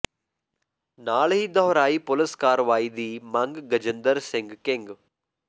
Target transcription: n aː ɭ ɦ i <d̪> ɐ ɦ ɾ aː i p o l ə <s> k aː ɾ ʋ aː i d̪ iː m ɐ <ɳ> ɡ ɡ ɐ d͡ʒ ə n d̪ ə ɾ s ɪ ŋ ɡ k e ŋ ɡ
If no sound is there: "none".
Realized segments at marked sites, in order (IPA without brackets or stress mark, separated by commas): d̪, s, ŋ